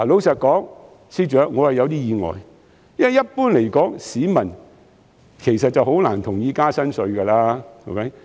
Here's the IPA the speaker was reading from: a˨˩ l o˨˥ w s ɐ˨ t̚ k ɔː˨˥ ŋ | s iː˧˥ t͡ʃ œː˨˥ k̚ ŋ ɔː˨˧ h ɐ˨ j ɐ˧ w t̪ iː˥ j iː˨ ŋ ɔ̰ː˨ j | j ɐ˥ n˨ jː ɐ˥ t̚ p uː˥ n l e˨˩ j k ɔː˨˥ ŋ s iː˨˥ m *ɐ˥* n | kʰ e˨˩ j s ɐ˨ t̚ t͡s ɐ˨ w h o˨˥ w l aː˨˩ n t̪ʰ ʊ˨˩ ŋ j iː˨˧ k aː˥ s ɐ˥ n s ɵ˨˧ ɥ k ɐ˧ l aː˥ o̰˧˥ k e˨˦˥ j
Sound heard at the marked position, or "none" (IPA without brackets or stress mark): ɐ˨˩